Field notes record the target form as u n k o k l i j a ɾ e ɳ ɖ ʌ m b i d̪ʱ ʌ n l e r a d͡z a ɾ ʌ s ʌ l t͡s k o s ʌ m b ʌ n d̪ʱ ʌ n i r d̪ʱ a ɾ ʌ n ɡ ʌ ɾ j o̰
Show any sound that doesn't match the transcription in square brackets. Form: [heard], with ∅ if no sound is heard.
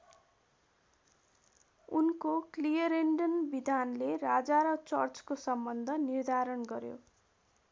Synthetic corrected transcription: u n k o k l i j [ʌ] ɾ e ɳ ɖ ʌ [n] b i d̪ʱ [a] n l e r a d͡z a ɾ ʌ [t͡s] ʌ [r] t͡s k o s ʌ m b ʌ n d̪ʱ ʌ n i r d̪ʱ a ɾ ʌ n ɡ ʌ ɾ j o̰